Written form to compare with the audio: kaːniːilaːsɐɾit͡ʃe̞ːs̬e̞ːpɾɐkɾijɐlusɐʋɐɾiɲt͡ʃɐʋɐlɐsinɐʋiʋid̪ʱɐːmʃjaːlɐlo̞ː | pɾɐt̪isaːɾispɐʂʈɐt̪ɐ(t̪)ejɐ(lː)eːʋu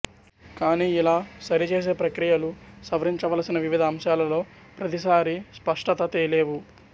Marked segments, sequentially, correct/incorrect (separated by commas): correct, incorrect